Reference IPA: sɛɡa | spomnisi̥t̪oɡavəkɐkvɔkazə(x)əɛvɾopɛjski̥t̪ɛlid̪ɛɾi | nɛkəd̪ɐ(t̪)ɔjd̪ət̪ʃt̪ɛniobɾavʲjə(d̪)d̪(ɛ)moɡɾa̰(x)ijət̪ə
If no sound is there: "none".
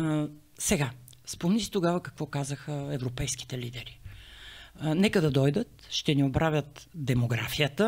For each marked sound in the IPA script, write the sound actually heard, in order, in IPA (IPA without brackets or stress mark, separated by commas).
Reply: x, d̪, t̪, ɛ, f